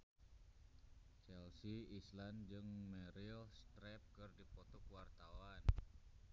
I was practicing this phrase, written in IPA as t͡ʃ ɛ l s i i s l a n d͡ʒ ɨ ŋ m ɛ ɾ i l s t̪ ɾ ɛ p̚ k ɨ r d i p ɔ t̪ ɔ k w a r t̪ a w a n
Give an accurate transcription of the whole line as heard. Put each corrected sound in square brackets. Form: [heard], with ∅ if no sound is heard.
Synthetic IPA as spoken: t͡ʃ ɛ l s i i s l a n d͡ʒ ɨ ŋ m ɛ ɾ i l s t̪ ɾ ɛ p̚ k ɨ r d i p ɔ t̪ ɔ k w a r t̪ a w a n